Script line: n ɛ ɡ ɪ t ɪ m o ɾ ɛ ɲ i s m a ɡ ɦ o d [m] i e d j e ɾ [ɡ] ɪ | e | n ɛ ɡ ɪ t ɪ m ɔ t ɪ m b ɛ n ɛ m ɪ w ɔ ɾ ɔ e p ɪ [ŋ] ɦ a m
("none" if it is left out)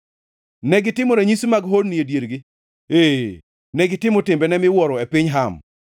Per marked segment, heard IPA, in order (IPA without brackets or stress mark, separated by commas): n, ɡ, ɲ